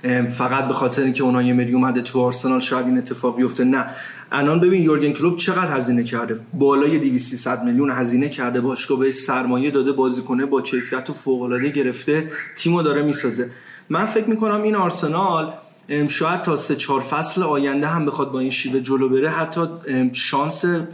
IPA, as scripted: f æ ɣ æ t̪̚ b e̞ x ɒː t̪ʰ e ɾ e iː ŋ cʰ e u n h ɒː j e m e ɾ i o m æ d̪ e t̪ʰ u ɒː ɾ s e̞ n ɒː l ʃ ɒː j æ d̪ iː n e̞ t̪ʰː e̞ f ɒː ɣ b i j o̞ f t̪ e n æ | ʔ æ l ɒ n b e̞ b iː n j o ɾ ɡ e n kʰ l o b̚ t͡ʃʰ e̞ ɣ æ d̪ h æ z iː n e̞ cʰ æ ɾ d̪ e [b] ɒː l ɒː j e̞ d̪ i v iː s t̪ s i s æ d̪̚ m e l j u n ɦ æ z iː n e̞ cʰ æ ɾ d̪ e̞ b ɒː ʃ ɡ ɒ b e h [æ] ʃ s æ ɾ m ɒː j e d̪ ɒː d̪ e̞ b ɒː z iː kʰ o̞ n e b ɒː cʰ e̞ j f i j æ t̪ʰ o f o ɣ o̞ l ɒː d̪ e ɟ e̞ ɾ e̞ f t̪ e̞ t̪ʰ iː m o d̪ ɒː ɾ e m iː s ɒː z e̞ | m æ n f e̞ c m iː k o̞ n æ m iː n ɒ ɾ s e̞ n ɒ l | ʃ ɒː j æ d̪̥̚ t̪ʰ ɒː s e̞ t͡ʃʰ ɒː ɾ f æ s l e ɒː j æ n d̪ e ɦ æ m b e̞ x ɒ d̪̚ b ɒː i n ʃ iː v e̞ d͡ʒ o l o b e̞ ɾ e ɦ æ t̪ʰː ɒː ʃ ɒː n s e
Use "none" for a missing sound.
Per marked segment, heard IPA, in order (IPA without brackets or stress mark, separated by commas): b, e